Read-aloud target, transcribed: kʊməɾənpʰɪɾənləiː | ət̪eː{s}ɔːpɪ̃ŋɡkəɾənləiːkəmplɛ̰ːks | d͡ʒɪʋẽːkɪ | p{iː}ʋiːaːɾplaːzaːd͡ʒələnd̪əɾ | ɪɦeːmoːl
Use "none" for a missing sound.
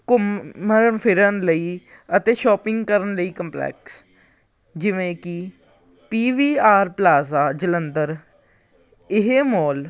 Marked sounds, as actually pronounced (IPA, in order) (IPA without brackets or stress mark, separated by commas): ʃ, iː